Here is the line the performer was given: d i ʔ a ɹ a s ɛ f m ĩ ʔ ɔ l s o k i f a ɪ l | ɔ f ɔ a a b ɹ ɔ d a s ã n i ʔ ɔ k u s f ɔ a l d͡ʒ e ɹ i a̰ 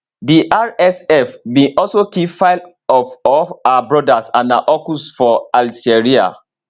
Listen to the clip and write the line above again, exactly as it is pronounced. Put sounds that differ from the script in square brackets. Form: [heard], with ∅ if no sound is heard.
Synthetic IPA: d i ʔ a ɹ [ɛ] s ɛ f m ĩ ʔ ɔ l s o k i f a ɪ l | ɔ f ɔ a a b ɹ ɔ d a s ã n [a] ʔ ɔ k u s f ɔ a l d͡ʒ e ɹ i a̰